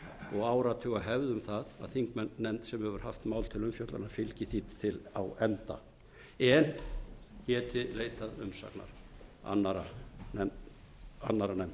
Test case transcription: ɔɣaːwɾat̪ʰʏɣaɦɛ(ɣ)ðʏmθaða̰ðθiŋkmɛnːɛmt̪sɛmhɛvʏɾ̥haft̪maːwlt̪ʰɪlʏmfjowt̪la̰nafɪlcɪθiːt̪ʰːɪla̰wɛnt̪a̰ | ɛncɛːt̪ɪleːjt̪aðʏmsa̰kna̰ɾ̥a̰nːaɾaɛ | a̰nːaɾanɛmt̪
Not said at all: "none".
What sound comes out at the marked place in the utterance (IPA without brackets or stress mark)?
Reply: v